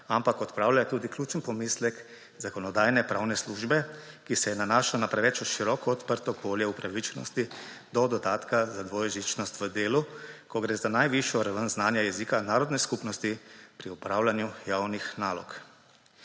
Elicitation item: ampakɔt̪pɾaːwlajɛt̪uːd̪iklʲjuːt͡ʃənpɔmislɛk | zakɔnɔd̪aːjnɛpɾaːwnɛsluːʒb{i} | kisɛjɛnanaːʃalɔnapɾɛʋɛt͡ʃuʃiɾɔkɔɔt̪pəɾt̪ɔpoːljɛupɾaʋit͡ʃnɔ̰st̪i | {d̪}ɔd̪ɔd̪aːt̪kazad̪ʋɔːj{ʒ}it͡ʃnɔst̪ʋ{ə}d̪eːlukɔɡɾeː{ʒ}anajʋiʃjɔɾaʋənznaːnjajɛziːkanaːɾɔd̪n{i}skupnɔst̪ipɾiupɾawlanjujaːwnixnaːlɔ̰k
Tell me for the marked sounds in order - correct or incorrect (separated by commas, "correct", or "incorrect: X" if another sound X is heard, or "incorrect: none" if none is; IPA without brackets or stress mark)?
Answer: incorrect: ɛ, correct, correct, correct, incorrect: z, incorrect: ɛ